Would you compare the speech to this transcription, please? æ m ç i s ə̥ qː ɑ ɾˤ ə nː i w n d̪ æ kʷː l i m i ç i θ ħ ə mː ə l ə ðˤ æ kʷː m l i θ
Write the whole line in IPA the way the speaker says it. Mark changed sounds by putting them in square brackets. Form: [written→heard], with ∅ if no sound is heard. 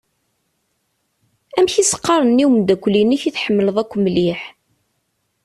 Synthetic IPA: æ m ç i s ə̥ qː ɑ ɾˤ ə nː i w [n→m] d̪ æ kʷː l i [m→n] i ç i θ ħ ə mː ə l ə ðˤ æ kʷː m l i [θ→ħ]